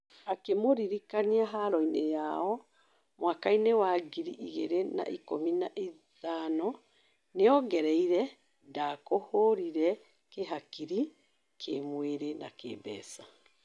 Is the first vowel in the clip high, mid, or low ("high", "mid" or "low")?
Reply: low